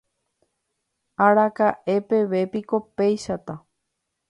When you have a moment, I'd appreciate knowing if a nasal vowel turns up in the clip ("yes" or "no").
no